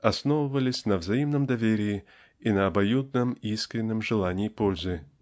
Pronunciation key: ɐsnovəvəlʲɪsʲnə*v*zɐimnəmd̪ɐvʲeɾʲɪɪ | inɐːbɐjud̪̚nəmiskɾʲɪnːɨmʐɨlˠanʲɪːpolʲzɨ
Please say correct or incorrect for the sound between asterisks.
correct